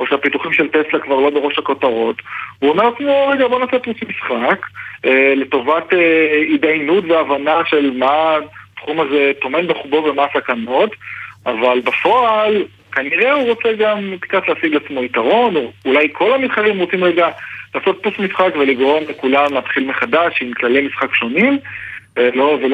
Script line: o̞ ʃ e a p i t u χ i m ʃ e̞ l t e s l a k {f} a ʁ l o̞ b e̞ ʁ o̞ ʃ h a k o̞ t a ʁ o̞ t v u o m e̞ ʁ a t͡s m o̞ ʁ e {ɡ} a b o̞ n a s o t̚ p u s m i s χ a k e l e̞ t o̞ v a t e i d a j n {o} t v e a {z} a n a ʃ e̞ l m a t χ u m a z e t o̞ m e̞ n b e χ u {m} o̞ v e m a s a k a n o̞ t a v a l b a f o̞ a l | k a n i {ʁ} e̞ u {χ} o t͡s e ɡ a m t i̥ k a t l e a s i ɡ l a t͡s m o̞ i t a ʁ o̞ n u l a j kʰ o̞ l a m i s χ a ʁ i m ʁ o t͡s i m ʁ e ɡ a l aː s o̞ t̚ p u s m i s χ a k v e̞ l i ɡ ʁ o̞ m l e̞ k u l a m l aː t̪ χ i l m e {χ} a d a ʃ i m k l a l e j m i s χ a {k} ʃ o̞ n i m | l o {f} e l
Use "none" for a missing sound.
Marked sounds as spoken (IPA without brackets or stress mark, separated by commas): v, ɡ, u, v, b, ʁ, ʁ, χ, k, v